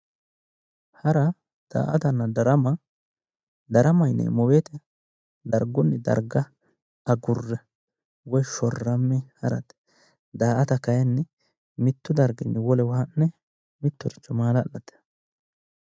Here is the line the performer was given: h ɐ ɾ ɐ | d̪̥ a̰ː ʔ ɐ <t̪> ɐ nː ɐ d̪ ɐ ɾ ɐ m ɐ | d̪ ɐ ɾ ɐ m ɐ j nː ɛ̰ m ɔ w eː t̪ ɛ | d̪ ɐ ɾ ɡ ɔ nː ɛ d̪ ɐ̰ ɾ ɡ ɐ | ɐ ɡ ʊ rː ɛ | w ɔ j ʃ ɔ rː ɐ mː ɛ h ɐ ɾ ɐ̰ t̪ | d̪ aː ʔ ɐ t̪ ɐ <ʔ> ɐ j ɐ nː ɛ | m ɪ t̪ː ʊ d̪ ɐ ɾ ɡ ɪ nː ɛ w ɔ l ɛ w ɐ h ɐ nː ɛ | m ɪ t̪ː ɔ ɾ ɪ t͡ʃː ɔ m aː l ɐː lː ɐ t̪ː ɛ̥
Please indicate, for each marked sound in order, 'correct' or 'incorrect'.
correct, incorrect: k

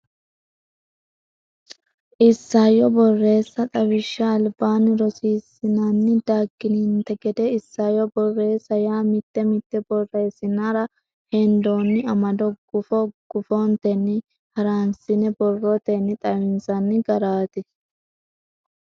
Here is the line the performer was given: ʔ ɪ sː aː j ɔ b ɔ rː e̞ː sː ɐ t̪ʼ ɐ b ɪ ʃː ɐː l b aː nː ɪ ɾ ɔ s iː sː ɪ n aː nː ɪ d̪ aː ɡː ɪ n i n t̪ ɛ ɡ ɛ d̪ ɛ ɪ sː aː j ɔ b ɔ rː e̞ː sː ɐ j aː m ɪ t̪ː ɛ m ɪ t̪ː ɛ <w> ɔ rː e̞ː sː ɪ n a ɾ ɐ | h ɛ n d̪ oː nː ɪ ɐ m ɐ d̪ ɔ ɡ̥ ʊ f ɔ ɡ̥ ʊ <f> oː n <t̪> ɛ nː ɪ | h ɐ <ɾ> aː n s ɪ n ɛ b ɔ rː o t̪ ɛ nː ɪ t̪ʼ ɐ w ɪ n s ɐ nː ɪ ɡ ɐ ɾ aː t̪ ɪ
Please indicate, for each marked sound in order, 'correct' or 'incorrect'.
incorrect: b, correct, correct, correct

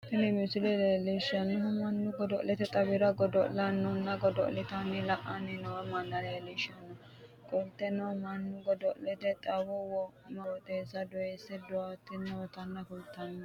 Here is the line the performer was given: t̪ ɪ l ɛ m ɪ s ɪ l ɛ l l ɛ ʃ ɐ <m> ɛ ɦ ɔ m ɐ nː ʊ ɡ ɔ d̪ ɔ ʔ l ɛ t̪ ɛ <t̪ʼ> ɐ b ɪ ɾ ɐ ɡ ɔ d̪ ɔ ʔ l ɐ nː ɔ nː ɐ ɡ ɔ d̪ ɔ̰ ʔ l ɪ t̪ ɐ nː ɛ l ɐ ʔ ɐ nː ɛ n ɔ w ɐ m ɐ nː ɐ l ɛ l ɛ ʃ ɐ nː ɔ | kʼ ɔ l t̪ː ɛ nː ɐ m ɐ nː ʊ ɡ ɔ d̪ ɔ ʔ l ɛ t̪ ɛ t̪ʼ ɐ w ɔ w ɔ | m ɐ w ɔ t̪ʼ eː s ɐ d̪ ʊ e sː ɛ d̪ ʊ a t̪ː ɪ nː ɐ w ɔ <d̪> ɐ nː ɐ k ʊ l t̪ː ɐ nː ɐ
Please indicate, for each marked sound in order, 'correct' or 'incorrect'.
incorrect: n, correct, incorrect: t̪

